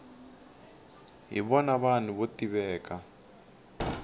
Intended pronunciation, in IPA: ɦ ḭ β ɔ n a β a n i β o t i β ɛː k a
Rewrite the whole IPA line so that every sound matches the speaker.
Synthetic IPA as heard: ɦ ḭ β ɔ n a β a n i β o t i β ɛː k a

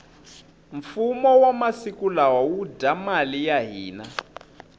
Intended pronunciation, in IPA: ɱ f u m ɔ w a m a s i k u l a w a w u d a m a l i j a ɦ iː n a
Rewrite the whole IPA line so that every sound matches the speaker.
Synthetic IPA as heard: ɱ f u m ɔ w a m a s i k u l a w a w u d a m a l i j a ɦ iː n a

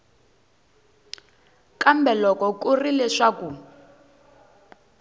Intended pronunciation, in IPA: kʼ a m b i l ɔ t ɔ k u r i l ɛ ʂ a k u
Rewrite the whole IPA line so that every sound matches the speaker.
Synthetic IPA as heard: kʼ a m b ɛ l ɔ k ɔ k u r i l ɛ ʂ a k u

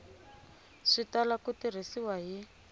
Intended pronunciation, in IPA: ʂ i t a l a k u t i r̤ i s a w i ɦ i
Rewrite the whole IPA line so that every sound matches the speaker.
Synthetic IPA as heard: ʂ i t a l a k u t i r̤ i s i w a ɦ i

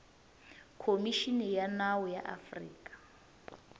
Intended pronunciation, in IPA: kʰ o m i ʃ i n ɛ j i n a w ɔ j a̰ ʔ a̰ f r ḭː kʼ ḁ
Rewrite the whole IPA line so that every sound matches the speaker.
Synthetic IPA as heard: kʰ o m i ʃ i n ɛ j a n a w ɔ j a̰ ʔ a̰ f r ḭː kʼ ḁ

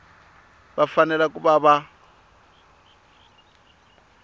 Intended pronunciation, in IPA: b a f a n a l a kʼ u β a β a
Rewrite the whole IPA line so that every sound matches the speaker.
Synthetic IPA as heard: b a f a n ɛ l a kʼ u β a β a

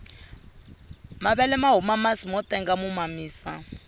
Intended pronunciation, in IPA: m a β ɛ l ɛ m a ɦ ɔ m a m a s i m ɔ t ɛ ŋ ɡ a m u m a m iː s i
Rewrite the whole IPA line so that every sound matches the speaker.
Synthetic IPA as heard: m a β ɛ l ɛ m a ɦ u m a m a s i m ɔ t ɛ ŋ ɡ a m u m a m iː s a

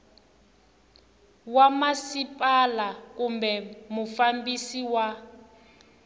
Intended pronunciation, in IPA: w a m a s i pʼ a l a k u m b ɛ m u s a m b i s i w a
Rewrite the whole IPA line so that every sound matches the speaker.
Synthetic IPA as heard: w a m a s i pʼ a l a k u m b ɛ m u f a m b i s i w a

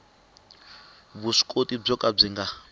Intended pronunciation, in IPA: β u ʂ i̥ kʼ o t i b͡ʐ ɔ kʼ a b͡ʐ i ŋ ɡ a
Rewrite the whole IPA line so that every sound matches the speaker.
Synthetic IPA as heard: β u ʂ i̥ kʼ o t i b͡ʐ ɔ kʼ a b͡ʐ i ŋ ɡ a

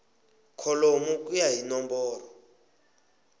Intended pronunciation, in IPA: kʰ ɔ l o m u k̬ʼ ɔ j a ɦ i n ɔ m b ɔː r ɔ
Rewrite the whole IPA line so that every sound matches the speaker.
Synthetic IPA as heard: kʰ ɔ l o m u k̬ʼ u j a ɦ i n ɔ m b ɔː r ɔ

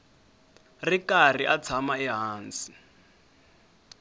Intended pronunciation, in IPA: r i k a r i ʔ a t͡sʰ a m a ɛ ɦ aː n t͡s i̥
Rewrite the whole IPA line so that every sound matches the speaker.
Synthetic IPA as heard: r i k a r i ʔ a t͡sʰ a m a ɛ ɦ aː n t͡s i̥

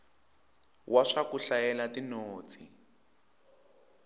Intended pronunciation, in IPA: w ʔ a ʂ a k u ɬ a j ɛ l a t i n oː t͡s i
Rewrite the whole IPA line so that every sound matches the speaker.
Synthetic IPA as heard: w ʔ a ʂ a k u ɬ a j ɛ l a t i n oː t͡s i

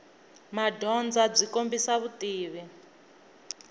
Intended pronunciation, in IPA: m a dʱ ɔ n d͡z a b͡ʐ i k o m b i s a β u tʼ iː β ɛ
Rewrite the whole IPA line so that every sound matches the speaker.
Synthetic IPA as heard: m a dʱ ɔ n d͡z a b͡ʐ i k o m b i s a β u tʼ iː β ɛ

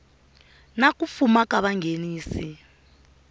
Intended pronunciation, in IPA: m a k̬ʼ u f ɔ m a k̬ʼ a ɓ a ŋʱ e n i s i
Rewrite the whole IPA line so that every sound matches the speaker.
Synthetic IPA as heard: n a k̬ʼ u f u m a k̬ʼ a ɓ a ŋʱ e n iː s i

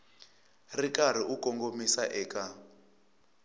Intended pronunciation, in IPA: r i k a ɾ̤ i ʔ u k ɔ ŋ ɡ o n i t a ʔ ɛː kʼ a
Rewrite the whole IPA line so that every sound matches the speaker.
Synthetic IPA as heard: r i k a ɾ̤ i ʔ u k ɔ ŋ ɡ o m i s a ʔ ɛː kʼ a

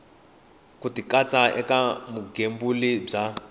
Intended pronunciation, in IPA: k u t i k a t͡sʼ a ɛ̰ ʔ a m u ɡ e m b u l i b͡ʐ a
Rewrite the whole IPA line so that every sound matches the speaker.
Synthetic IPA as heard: k u t i k a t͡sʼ a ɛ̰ k a m u ɡ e m b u l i b͡ʐ a

